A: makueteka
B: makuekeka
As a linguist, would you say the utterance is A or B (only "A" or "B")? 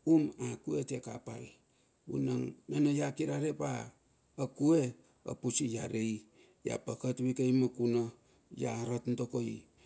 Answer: A